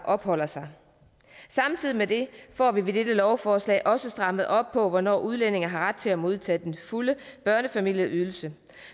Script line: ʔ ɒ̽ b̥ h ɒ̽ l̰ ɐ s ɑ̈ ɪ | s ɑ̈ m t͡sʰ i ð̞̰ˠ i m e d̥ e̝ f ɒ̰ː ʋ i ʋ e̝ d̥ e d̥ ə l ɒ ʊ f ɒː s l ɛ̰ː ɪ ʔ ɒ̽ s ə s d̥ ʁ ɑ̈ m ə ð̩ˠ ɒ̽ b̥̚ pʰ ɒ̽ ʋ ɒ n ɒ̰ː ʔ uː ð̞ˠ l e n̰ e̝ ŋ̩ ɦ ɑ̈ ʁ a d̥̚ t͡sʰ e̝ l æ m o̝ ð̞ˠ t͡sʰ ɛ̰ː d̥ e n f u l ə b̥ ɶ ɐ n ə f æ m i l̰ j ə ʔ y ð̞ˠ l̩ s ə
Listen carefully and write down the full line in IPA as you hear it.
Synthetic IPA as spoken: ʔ ɒ̽ b̥ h ɒ̽ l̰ ɐ s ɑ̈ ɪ | s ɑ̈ m t͡sʰ i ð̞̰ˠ i m e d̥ e̝ f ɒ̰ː ʋ i ʋ e̝ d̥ e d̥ ə l ɒ ʊ f ɒː s l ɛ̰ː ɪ ʔ ɒ̽ s ə s d̥ ʁ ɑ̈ m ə ð̩ˠ ɒ̽ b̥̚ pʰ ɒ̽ ʋ ɒ n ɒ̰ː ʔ u ð̞ˠ l e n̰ e̝ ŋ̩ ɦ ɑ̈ ʁ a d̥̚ t͡sʰ e̝ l æ m o̝ ð̞ˠ t͡sʰ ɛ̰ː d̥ e n f u l ə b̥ ɶ ɐ n ə f æ m i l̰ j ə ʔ y ð̞ˠ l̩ s ə